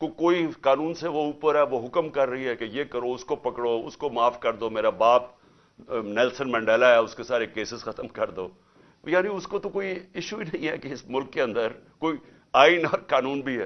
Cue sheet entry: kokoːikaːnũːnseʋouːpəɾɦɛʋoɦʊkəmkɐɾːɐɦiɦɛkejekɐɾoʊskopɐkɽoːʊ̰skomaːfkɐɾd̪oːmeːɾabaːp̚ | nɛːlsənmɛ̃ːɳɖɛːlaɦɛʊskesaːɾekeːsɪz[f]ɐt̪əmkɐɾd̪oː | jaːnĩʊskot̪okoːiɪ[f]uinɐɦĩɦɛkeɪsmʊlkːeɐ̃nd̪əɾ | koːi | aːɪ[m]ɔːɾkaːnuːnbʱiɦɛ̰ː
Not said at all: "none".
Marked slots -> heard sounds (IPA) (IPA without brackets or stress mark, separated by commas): x, ʃ, n